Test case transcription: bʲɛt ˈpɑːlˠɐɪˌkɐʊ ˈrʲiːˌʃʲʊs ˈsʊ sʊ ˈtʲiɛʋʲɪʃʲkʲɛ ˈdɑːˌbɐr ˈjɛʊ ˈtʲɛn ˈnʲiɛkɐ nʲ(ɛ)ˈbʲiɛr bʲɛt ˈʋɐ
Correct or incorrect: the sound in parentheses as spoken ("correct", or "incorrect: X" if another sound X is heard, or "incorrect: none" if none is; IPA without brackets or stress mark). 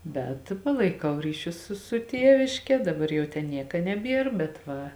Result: correct